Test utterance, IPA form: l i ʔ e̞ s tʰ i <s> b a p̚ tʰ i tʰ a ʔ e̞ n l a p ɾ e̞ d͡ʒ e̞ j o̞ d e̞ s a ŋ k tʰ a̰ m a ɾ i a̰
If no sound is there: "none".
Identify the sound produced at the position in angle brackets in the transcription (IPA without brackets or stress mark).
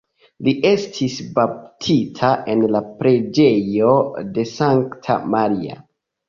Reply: s